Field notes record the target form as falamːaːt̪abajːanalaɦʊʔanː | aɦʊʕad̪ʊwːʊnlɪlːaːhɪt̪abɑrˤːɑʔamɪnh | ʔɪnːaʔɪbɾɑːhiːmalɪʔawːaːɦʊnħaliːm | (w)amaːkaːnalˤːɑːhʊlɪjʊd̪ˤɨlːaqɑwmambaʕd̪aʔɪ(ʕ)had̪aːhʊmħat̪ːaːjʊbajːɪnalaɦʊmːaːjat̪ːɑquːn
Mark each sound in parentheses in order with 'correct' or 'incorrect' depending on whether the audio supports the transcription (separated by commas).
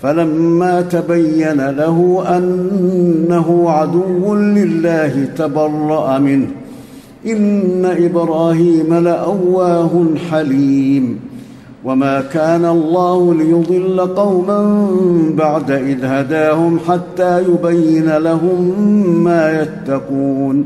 correct, incorrect